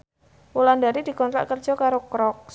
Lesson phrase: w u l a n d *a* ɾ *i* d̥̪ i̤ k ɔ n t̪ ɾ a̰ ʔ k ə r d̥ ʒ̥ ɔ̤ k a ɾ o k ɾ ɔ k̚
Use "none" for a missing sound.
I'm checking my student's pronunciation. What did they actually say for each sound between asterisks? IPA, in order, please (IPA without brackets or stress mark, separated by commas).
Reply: a, i